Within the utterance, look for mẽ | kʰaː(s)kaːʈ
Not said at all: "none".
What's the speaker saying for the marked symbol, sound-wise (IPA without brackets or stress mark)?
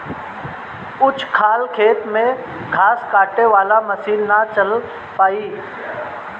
s